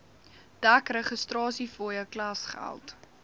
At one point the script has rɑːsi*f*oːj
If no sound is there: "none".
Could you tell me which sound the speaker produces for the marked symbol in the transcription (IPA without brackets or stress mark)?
f